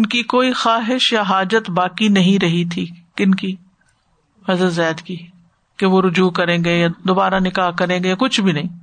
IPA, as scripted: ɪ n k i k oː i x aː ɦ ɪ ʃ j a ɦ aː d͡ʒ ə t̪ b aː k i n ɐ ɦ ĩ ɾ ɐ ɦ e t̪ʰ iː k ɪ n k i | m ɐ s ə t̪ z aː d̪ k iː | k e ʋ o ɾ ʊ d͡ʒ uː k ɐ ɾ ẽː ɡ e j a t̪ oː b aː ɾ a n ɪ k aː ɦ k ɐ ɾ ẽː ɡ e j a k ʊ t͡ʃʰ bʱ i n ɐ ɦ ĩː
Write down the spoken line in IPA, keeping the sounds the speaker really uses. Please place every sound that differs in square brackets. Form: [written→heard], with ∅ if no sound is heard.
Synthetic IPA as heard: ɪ n k i k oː i x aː ɦ ɪ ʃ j a ɦ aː d͡ʒ ə t̪ b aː k i n ɐ ɦ ĩ ɾ ɐ ɦ [e→i] t̪ʰ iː k ɪ n k i | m ɐ [s→z] ə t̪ z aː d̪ k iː | k e ʋ o ɾ ʊ d͡ʒ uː k ɐ ɾ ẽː ɡ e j a [t̪→d̪] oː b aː ɾ a n ɪ k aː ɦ k ɐ ɾ ẽː ɡ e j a k ʊ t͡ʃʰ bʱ i n ɐ ɦ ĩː